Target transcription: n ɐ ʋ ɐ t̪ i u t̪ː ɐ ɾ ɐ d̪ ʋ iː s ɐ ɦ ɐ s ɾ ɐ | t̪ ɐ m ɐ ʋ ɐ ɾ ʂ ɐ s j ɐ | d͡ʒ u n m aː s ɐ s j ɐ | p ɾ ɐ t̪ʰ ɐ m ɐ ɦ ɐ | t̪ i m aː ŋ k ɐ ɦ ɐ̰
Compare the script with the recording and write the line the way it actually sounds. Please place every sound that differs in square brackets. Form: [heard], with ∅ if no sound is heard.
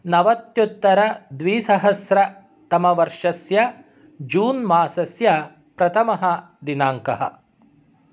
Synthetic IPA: n ɐ ʋ ɐ t̪ [j] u t̪ː ɐ ɾ ɐ d̪ ʋ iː s ɐ ɦ ɐ s ɾ ɐ | t̪ ɐ m ɐ ʋ ɐ ɾ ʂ ɐ s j ɐ | d͡ʒ [uː] n m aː s ɐ s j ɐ | p ɾ ɐ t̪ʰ ɐ m ɐ ɦ ɐ | [d̪] i [n] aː ŋ k ɐ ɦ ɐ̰